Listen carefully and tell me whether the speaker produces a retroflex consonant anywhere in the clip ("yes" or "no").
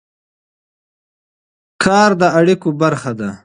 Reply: yes